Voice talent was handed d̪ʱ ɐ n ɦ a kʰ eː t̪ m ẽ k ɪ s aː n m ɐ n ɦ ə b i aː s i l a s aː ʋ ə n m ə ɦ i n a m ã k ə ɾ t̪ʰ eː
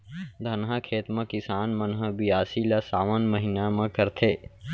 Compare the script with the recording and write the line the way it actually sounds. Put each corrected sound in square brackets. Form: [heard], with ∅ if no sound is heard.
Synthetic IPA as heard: d̪ʱ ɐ n ɦ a kʰ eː t̪ m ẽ k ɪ s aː n m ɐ n ɦ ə b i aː s i l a s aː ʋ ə n m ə ɦ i n a m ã k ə ɾ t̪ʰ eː